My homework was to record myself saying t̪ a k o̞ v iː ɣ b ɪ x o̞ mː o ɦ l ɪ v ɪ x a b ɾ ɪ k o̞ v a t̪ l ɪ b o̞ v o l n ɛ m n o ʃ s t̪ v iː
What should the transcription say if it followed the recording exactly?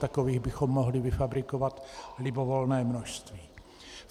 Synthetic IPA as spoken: t̪ a k o̞ v iː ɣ b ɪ x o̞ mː o ɦ l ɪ v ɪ f a b ɾ ɪ k o̞ v a t̪ l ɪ b o̞ v o l n ɛː m n o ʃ s t̪ v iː